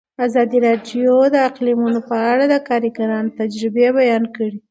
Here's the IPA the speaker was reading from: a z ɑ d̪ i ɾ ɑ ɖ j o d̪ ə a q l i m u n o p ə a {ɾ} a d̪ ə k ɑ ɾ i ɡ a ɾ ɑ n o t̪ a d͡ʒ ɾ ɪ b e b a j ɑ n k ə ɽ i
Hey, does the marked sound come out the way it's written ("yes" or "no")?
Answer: no